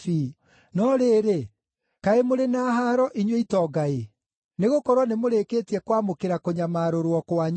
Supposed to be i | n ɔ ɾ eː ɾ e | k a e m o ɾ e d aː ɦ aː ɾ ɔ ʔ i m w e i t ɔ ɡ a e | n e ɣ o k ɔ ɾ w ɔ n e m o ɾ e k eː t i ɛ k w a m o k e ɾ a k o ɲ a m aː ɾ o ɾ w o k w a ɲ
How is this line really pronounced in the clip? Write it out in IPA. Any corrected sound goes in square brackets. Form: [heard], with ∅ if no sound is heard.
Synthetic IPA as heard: i | n ɔ ɾ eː ɾ e | k a e m o ɾ e [n] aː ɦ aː ɾ ɔ ʔ i [ɲ] w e i t ɔ ɡ a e | n e ɣ o k ɔ ɾ w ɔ n e m o ɾ e k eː t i ɛ k w a m o k e ɾ a k o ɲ a m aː ɾ o ɾ w [ɔ] k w a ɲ

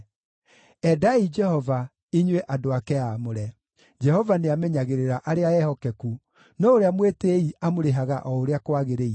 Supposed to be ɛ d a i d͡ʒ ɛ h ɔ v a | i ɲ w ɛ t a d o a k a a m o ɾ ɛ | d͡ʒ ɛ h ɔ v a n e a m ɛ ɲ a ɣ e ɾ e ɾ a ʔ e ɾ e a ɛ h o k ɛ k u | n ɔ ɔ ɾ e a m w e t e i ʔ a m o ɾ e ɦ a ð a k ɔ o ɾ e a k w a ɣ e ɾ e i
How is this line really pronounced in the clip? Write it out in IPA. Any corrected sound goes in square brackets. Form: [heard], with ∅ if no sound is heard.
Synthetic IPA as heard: ɛ d a i d͡ʒ ɛ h ɔ v a | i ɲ w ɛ [ʔ] a d o a k [ɛ] a m o ɾ ɛ | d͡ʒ ɛ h ɔ v a n e a m ɛ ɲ a ɣ e ɾ e ɾ a ʔ [a] ɾ e a ɛ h [ɔ] k ɛ k u | n ɔ [o] ɾ e a m w e t e i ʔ a m o ɾ e ɦ a [ɣ] a [ʔ] ɔ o ɾ e a k w a ɣ e ɾ e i

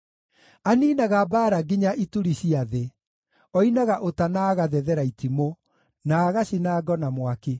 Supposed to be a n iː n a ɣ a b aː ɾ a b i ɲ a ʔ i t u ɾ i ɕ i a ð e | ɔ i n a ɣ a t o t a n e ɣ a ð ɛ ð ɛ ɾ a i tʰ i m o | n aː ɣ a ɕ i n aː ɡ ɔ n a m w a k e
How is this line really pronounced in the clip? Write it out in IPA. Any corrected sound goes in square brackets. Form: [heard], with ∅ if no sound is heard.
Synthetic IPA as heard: a n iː n a ɣ a b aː ɾ a [ɡ] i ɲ a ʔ i t u ɾ i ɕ i a ð e | ɔ i n a ɣ a [ʔ] o t a n [a] ɣ a ð ɛ ð ɛ ɾ a i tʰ i m o | n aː ɣ a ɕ i n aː ɡ ɔ n a m w a k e

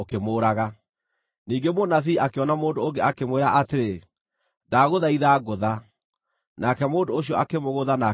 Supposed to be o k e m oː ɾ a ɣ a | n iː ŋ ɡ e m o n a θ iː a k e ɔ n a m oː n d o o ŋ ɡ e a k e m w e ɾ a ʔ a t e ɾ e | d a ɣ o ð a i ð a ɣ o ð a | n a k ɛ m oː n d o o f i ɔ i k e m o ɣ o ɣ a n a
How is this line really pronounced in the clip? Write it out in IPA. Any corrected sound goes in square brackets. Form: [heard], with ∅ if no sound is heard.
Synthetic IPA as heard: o k e m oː ɾ a ɣ a | n iː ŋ ɡ e m o n a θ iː a k e ɔ n a m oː n d o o ŋ ɡ e a k e m w e ɾ a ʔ a t e ɾ e | d a ɣ o ð a i ð a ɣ o ð a | n a k ɛ m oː n d o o [ɕ] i ɔ [a] k e m o ɣ o [ð] a n a

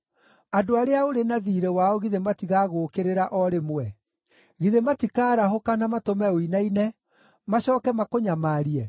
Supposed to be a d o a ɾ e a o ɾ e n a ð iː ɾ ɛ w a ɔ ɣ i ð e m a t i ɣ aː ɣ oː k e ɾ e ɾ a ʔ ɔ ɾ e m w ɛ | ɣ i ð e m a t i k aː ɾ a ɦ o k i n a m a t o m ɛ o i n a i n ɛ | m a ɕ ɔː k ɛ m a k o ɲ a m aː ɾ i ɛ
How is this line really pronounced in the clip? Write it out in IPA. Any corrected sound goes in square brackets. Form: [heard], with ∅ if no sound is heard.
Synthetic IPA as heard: a d o a ɾ e a o ɾ e n a ð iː ɾ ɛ w a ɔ ɣ i ð e m a t i ɣ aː ɣ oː k e ɾ e ɾ a ʔ ɔ ɾ e m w ɛ | ɣ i ð e m a t i k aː ɾ a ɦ o k [a] n a m a t o m ɛ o i n a i n ɛ | m a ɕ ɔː k ɛ m a k o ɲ a m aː ɾ i ɛ

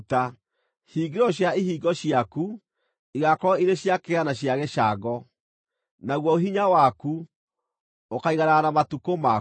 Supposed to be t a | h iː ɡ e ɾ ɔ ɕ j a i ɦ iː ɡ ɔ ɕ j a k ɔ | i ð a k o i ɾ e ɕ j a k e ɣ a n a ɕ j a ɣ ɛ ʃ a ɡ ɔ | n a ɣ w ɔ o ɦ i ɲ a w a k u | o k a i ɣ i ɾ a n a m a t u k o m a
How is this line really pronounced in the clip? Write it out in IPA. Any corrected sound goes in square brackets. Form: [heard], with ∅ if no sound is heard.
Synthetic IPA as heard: t a | h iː ɡ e ɾ ɔ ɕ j a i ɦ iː ɡ ɔ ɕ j a k [u] | i [ɣ] a k [ɔ] i ɾ e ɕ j a k e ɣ a n a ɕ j a ɣ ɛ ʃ a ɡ ɔ | n a ɣ w ɔ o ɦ i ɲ a w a k u | o k a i ɣ [a] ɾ a n a m a t u k o m a

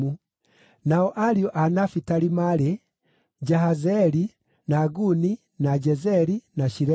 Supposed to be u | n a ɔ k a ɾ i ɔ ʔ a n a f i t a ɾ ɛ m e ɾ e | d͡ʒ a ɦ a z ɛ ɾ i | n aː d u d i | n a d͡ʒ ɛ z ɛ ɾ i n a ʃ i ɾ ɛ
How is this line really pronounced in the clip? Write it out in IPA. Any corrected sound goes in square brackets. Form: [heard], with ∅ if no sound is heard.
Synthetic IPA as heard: u | n a ɔ [ʔ] a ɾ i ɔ ʔ a n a f i t a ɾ [i] m [a] ɾ e | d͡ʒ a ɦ a z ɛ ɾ i | n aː [ɡ] u [n] i | n a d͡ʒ ɛ z ɛ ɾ i n a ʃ i ɾ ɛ

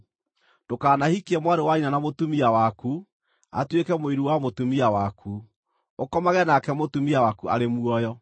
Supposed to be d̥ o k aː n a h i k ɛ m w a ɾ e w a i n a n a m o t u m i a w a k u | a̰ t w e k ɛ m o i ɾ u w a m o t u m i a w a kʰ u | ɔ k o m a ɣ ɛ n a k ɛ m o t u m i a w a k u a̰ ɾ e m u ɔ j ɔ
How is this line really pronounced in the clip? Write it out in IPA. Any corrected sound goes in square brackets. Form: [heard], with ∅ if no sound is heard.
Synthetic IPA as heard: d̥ o k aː n a h i k ɛ m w a ɾ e w a i n a n a m o t u m i a w a k u | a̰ t w e k ɛ m o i ɾ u w a m o t u m i a w a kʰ u | [o] k [ɔ] m a ɣ ɛ n a k ɛ m o t u m i a w a k u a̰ ɾ e m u ɔ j ɔ

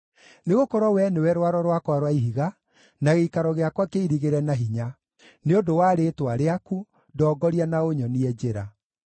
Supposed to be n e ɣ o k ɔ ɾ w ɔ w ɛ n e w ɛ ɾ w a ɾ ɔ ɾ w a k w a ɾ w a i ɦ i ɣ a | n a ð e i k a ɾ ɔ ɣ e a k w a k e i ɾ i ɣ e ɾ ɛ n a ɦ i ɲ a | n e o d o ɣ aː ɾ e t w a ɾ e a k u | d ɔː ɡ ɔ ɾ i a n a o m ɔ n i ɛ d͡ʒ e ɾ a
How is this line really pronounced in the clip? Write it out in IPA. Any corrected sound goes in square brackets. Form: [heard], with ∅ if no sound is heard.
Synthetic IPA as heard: n e ɣ o k ɔ ɾ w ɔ w ɛ n e w ɛ ɾ w a ɾ ɔ ɾ w a k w a ɾ w a i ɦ i ɣ a | n a [ɣ] e i k a ɾ ɔ ɣ e a k w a k e i ɾ i ɣ e ɾ ɛ n a ɦ i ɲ a | n e o d o [w] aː ɾ e t w a ɾ e a k u | d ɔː ɡ ɔ ɾ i a n a o [ɲ] ɔ n i ɛ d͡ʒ e ɾ a

